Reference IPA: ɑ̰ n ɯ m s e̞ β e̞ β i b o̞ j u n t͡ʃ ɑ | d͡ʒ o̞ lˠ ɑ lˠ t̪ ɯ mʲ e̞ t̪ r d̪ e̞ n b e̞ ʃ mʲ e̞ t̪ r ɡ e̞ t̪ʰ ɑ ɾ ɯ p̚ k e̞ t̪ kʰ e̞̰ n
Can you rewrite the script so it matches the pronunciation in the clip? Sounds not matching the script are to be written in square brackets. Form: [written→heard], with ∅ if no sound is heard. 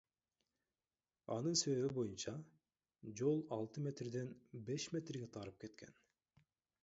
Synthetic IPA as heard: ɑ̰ n ɯ [m→n] s e̞ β e̞ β i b o̞ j u n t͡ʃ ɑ | d͡ʒ o̞ lˠ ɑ lˠ t̪ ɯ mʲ e̞ t̪ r d̪ e̞ n b e̞ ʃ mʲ e̞ t̪ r ɡ e̞ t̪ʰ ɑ ɾ ɯ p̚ k e̞ t̪ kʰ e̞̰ n